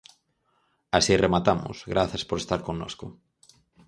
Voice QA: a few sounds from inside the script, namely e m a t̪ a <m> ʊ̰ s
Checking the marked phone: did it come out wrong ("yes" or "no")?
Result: no